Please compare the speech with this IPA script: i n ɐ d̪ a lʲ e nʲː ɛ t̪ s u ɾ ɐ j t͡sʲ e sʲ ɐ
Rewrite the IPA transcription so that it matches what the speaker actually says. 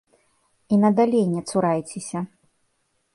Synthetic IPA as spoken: i n ɐ d̪ a lʲ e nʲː ɛ t̪ s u ɾ a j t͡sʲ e sʲ ɐ